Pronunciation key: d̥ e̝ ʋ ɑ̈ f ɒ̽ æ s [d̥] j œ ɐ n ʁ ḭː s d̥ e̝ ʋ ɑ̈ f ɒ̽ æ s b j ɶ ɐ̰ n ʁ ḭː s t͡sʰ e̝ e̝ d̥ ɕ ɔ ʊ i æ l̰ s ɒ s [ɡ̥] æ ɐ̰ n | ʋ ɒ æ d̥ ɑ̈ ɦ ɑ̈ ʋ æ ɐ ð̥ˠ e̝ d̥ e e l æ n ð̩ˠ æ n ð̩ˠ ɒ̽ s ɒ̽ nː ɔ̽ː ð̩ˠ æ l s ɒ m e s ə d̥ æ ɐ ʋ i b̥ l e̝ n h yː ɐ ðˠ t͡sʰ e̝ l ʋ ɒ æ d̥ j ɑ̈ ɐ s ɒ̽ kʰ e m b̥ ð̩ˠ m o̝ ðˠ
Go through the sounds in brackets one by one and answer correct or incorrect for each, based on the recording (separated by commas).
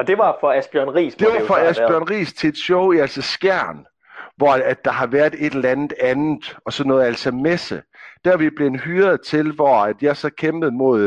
incorrect, correct